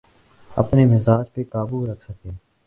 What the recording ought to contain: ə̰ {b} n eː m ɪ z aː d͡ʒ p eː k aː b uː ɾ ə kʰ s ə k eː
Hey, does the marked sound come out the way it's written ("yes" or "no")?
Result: no